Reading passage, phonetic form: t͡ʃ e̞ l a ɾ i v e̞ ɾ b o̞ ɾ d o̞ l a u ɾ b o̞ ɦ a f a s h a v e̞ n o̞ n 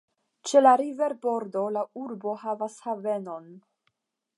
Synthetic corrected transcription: t͡ʃ e̞ l a ɾ i v e̞ ɾ b o̞ ɾ d o̞ l a u ɾ b o̞ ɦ a v a s h a v e̞ n o̞ n